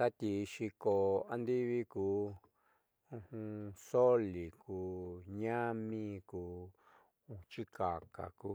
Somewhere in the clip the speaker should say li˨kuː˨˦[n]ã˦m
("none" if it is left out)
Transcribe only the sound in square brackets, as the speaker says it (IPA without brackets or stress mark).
ɲ